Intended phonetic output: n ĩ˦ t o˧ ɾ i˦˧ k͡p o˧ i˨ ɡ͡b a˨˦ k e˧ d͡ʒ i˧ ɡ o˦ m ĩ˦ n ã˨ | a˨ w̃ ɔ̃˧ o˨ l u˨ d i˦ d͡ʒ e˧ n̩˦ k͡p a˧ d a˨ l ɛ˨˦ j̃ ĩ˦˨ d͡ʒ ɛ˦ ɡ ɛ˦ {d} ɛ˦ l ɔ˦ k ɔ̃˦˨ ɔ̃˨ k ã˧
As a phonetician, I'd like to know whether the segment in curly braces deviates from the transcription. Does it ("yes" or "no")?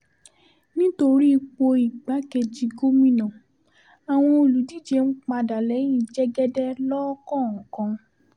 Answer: no